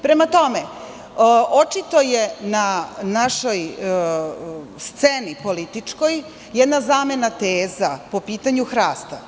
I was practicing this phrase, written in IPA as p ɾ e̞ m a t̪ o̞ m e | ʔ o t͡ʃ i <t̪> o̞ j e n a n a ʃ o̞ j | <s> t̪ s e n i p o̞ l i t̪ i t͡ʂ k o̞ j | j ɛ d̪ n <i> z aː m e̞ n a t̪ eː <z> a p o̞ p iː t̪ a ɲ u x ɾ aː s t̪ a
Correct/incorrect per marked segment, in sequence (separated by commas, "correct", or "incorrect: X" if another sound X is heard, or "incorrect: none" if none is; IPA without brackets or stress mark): correct, correct, incorrect: a, correct